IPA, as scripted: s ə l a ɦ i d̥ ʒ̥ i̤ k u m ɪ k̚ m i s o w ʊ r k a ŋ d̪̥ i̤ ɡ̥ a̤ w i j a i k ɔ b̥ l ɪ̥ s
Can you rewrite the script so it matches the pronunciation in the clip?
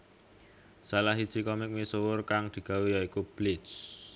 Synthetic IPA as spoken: s a l a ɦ i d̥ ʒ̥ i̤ k ɔ m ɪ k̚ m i s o w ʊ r k a ŋ d̪̥ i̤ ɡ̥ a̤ w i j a i k u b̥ l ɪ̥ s